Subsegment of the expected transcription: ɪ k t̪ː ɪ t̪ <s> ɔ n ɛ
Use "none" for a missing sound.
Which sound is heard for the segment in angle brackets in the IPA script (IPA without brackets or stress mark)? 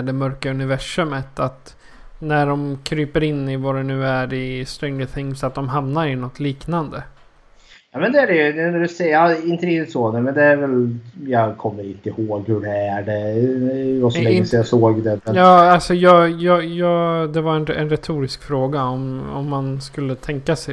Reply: s